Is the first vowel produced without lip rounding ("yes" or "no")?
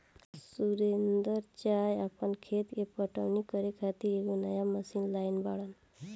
no